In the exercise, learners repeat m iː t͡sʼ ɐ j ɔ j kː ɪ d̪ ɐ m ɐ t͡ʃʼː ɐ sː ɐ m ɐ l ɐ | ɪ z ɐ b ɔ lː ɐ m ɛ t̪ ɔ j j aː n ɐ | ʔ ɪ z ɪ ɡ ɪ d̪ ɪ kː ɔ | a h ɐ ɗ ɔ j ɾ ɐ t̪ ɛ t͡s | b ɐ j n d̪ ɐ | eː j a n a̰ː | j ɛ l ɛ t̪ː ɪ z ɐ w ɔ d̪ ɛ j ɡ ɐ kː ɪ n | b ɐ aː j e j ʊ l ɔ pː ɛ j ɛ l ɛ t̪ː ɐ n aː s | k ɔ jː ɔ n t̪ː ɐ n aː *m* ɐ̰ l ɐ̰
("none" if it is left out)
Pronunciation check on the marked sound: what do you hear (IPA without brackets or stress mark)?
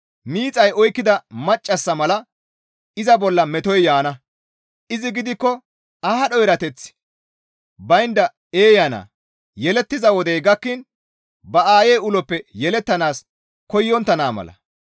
m